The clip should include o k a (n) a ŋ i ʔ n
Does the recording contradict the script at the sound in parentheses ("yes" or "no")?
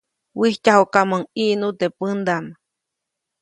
yes